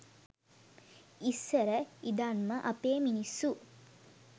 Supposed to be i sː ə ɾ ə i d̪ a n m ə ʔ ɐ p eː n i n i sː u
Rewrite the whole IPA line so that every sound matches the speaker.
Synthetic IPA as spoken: i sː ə ɾ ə i d̪ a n m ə ʔ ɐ p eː m i n i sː u